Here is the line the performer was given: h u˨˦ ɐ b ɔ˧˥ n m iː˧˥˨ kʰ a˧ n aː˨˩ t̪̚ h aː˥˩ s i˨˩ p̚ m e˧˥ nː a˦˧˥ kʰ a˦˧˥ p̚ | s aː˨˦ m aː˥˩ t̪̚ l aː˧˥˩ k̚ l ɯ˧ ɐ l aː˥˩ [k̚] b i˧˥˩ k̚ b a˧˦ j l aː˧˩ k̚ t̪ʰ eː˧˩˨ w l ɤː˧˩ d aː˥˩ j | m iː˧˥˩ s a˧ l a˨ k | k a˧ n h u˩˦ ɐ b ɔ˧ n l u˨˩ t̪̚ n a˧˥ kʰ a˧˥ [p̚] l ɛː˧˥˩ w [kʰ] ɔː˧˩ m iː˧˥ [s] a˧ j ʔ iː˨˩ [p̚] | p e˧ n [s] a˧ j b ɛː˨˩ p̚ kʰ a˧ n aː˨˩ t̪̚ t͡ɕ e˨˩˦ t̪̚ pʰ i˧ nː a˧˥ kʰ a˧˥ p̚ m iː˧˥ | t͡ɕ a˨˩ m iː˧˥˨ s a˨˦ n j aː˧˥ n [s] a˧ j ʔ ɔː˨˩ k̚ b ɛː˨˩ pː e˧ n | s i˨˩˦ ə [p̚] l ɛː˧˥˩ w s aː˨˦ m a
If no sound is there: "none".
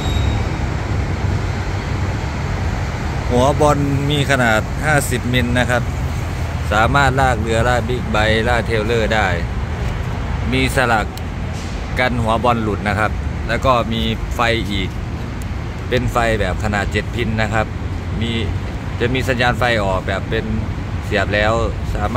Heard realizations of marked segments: k̚, p̚, k, f, k̚, f, f, p̚

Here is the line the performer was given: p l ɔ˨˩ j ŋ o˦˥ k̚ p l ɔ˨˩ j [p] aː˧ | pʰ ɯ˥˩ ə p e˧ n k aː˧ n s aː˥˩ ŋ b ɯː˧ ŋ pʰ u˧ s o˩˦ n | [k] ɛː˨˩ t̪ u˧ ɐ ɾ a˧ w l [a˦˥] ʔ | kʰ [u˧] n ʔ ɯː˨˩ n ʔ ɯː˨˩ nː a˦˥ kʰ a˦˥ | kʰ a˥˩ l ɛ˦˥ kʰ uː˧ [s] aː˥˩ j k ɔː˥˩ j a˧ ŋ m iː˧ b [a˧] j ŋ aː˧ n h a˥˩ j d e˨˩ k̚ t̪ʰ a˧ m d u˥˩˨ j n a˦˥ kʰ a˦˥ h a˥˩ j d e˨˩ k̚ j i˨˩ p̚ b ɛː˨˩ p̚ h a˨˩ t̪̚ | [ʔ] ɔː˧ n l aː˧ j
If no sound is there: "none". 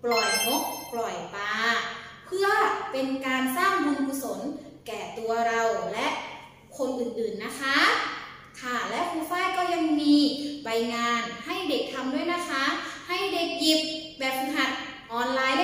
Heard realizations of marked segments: p, k, ɛ˦˥, o˧, f, a˧, ʔ

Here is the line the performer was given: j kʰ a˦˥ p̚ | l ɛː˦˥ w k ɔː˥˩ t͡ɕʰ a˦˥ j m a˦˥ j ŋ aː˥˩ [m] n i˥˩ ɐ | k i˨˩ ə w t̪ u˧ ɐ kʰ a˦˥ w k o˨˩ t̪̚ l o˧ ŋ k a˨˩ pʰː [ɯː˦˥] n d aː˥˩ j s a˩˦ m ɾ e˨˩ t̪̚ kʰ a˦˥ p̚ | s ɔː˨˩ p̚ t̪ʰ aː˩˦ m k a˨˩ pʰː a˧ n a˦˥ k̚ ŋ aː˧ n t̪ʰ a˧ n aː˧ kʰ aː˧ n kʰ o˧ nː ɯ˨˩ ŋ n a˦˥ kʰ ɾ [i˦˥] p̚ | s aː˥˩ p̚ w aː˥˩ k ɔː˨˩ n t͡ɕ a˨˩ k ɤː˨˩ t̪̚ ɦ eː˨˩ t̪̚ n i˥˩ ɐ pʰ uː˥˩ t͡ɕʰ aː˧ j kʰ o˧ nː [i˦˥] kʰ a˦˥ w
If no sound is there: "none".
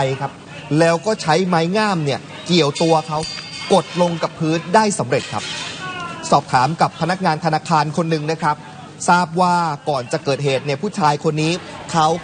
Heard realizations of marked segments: m, ɯː˦˥, a˦˥, iː˦˥

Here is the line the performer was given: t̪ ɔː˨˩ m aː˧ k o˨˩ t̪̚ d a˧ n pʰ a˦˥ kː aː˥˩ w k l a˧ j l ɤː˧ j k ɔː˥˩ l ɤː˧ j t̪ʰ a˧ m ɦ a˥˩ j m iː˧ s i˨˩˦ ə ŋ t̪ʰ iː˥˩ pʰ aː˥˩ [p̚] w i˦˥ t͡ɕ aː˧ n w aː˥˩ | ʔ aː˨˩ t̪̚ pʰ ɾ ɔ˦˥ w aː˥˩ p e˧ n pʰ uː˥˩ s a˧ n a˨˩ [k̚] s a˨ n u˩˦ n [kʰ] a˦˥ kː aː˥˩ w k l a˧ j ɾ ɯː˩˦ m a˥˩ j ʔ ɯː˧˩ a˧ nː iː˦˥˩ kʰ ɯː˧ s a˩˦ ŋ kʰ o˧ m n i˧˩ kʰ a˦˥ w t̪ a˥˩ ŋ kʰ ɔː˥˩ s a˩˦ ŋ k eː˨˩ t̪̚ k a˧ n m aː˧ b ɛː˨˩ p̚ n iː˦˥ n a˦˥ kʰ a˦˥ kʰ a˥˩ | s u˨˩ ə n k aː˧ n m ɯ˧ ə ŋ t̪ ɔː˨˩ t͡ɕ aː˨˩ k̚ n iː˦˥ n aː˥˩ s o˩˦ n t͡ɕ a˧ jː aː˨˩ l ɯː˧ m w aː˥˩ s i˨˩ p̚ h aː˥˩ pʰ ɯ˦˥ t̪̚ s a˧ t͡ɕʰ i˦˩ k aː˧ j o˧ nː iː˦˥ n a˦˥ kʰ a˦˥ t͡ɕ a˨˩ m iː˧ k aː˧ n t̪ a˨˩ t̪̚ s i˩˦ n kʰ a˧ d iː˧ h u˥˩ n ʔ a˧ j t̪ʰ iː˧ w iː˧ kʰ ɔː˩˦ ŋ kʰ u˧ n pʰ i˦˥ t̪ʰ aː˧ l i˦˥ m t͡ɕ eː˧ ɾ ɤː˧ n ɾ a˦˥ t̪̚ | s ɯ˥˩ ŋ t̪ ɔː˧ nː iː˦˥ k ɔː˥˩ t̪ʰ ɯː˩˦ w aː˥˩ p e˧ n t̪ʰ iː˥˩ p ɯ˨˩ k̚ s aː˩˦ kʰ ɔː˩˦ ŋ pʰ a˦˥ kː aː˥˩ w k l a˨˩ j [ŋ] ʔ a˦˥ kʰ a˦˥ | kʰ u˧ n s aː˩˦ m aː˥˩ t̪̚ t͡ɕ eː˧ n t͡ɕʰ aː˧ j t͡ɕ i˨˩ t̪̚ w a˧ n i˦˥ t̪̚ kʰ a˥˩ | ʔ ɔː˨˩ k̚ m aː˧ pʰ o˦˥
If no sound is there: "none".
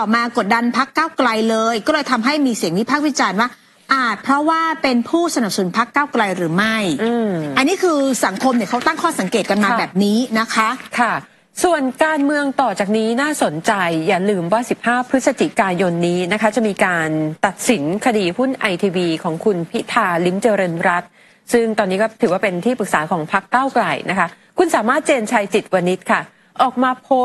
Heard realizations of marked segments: k̚, p̚, pʰ, n

